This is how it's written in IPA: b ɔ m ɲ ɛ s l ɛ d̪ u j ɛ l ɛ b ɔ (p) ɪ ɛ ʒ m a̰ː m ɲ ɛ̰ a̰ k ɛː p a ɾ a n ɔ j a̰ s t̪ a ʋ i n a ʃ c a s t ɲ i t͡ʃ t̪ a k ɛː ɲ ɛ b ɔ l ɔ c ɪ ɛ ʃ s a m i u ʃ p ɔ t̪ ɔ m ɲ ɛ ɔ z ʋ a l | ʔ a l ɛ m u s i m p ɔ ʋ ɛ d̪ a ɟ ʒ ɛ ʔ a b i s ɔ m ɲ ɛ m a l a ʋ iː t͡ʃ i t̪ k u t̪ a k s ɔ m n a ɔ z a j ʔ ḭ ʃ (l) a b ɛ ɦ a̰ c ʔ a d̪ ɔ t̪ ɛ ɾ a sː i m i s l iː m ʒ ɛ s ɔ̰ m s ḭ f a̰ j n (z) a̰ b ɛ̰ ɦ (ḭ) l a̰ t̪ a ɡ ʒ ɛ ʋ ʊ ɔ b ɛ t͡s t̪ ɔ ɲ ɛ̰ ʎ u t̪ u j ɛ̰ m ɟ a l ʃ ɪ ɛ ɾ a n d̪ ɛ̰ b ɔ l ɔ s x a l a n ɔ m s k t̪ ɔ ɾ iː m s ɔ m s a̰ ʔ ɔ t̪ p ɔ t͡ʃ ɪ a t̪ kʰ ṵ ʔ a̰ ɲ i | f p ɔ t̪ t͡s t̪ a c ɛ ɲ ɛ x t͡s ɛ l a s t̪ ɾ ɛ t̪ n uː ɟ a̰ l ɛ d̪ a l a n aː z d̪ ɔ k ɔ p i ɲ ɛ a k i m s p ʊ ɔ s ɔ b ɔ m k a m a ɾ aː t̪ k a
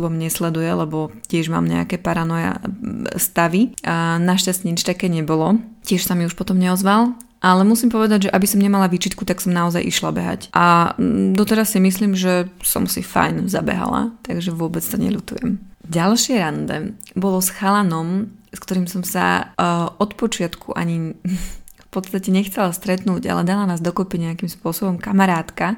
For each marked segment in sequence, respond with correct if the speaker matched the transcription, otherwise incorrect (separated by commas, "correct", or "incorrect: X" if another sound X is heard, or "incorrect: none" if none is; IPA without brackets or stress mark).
incorrect: c, correct, correct, incorrect: a̰